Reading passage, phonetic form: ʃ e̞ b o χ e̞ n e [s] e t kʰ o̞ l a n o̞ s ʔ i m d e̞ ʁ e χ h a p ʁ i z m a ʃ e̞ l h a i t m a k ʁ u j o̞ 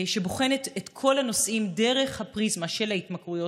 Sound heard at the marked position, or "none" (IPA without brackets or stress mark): t